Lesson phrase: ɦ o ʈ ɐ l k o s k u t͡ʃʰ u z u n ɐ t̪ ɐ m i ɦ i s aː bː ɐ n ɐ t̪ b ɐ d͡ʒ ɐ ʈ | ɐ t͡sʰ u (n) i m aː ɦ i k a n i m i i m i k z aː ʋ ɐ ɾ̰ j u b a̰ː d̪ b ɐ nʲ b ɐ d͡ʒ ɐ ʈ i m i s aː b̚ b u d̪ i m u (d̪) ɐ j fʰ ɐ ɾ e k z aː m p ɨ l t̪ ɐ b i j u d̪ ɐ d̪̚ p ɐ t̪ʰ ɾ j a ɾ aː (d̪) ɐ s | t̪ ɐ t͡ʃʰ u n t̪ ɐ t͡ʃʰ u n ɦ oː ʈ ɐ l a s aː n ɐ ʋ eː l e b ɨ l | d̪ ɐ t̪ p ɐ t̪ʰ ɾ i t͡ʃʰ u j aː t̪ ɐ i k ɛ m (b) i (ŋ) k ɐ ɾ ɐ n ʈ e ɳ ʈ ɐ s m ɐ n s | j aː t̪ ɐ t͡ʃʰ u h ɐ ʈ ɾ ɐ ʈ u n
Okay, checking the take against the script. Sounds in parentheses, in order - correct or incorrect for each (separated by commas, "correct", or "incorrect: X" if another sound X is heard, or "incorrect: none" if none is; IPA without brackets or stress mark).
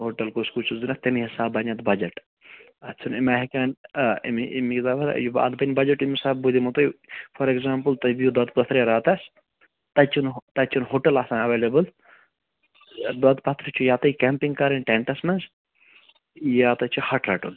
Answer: correct, incorrect: t̪, incorrect: t̪, incorrect: p, correct